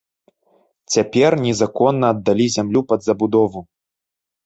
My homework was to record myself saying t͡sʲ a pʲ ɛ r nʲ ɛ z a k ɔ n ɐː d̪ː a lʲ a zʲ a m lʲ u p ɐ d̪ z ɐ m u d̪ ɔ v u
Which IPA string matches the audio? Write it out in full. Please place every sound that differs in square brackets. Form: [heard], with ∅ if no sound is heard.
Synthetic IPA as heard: t͡sʲ a pʲ ɛ r nʲ ɛ z a k ɔ [nː] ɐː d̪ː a lʲ [i] zʲ a m lʲ u p ɐ d̪ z ɐ [b] u d̪ ɔ v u